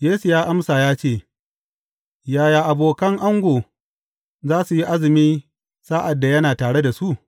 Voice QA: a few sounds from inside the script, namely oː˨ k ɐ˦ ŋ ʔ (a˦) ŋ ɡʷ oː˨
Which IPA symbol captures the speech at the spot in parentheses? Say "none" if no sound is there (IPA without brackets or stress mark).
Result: a˦